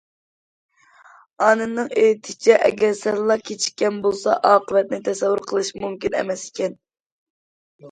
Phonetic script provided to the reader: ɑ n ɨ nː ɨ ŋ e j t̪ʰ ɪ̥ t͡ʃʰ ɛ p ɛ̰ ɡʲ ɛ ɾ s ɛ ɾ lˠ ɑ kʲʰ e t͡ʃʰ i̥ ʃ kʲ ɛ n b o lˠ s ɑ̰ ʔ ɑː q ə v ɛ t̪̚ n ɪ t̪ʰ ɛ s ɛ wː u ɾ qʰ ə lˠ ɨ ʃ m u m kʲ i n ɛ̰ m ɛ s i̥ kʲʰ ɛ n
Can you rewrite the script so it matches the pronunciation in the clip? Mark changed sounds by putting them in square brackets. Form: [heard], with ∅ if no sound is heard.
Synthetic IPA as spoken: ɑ n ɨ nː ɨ ŋ e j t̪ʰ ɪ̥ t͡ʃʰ ɛ [ʔ] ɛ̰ ɡʲ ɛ ɾ s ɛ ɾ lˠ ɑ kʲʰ e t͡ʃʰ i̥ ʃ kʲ ɛ n b o lˠ s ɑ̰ ʔ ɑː q ə v ɛ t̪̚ n ɪ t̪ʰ ɛ s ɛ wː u ɾ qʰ ə lˠ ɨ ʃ m u m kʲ i n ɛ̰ m ɛ s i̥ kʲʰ ɛ n

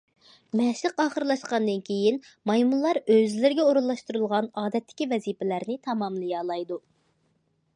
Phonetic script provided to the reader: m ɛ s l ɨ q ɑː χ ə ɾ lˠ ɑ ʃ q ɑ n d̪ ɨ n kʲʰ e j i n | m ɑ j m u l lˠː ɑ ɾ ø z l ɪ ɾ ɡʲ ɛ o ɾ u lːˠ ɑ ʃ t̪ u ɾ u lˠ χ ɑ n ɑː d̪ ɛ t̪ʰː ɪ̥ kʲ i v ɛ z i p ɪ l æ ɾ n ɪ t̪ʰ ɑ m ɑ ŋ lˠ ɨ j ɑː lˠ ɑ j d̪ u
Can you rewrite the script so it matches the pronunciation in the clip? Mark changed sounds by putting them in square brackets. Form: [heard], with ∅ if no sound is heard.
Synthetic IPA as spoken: m ɛ [ʃ] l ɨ q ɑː χ ə ɾ lˠ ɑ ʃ q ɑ n d̪ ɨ n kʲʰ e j i n | m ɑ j m u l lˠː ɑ ɾ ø z l ɪ ɾ ɡʲ ɛ o ɾ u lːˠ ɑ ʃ t̪ u ɾ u lˠ [ʁ] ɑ n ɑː d̪ ɛ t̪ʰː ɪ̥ kʲ i v ɛ z i p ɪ l æ ɾ n ɪ t̪ʰ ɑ m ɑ [m] lˠ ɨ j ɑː lˠ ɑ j d̪ u

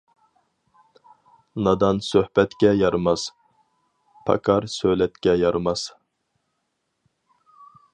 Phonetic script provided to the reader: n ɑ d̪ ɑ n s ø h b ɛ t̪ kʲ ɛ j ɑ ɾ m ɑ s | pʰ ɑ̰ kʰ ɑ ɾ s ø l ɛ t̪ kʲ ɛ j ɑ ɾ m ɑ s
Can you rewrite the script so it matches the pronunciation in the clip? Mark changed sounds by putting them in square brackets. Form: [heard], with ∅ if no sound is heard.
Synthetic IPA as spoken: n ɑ d̪ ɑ n s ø h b ɛ t̪ kʲ ɛ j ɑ ɾ m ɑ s | pʰ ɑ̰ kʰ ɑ ɾ s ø l ɛ t̪ kʲ ɛ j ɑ ɾ m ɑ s

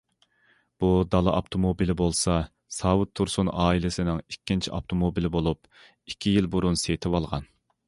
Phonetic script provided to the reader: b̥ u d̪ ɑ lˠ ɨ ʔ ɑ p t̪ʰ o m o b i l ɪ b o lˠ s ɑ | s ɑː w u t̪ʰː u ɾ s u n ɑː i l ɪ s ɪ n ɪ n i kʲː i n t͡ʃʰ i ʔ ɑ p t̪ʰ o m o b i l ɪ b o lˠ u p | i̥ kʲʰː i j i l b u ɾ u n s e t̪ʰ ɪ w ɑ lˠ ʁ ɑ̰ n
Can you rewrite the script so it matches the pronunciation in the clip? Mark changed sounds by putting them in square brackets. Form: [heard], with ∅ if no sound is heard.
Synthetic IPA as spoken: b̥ u d̪ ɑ lˠ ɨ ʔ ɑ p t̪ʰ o m o b i l ɪ b o lˠ s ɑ | s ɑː w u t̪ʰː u ɾ s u n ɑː i l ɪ s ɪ n ɪ [ŋ] i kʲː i n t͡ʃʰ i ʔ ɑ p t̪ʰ o m o b i l ɪ b o lˠ u p | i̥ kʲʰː i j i l b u ɾ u n s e t̪ʰ ɪ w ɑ lˠ ʁ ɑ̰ n

